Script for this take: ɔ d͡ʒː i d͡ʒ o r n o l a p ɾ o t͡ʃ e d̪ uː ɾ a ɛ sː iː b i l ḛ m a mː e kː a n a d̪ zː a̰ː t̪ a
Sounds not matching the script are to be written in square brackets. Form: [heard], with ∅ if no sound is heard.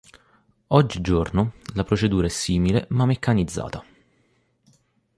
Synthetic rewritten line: ɔ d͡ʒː i d͡ʒ o r n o l a p ɾ o t͡ʃ e d̪ uː ɾ a ɛ sː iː [m] i l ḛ m a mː e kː a n [i] d̪ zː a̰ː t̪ a